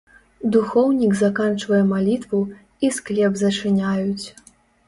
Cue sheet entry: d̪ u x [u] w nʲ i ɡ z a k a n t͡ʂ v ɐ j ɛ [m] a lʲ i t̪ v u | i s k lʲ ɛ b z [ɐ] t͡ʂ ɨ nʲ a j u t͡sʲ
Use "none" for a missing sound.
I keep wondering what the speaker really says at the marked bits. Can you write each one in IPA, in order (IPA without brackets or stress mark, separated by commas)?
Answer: ɔ, m, ɐ